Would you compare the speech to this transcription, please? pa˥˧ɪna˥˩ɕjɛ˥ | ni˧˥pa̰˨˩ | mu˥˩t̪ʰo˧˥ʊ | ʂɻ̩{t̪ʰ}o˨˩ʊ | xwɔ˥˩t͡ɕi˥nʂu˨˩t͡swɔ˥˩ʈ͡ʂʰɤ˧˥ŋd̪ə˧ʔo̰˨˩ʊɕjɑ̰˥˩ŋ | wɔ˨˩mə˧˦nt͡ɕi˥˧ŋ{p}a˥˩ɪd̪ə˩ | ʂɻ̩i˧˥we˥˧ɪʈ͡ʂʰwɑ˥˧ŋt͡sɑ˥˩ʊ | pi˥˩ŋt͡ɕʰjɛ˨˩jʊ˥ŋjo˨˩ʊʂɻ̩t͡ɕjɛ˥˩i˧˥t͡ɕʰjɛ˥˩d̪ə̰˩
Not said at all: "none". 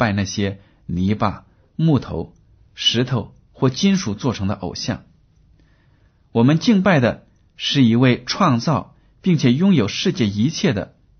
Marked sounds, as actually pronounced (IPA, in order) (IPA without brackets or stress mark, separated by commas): t̪ʰ, p